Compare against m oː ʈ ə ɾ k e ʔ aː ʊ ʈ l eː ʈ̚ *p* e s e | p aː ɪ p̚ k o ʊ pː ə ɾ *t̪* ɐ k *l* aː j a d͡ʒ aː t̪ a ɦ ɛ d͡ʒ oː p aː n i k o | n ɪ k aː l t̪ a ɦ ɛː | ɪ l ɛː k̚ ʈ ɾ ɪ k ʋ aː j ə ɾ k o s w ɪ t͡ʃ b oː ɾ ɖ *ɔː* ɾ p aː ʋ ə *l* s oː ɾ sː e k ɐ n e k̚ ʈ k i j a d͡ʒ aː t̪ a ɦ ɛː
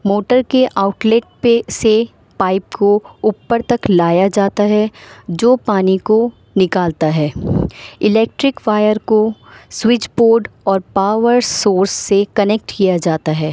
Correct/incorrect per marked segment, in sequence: correct, correct, correct, correct, incorrect: ɾ

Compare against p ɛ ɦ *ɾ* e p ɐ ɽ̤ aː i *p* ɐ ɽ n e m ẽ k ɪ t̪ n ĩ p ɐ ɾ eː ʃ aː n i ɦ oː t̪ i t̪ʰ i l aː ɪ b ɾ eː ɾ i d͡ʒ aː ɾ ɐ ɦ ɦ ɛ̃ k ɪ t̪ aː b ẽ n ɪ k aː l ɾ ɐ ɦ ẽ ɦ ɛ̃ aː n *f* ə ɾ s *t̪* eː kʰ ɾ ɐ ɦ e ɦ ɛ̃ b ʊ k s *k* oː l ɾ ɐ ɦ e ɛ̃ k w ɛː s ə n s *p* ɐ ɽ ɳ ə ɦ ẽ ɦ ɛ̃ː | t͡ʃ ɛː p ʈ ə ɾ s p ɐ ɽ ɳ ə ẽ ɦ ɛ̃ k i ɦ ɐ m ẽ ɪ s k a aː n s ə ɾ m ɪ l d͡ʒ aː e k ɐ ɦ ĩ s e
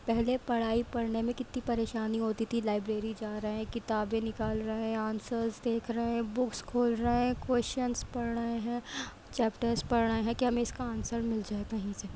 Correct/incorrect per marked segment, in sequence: incorrect: l, correct, incorrect: s, incorrect: d̪, incorrect: kʰ, correct

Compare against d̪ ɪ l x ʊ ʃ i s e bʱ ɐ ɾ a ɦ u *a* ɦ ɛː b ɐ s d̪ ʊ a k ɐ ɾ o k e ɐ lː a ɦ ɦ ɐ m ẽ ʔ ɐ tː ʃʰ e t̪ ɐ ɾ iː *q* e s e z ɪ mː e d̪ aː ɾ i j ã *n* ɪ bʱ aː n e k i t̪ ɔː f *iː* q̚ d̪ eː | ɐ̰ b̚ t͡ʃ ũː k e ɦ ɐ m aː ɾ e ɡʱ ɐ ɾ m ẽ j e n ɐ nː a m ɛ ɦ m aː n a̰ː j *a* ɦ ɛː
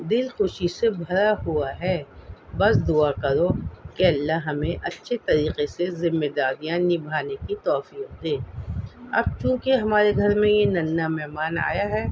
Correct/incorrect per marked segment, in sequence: correct, correct, correct, correct, correct

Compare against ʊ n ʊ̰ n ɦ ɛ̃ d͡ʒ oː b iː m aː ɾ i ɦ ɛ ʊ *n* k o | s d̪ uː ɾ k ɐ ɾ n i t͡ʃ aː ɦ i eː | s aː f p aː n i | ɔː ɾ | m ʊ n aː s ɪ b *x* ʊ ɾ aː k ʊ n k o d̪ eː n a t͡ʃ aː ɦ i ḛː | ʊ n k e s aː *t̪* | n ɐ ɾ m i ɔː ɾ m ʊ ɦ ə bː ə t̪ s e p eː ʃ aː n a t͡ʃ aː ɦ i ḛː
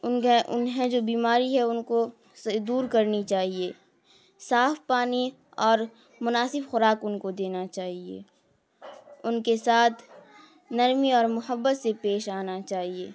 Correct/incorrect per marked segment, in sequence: correct, correct, incorrect: t̪ʰ

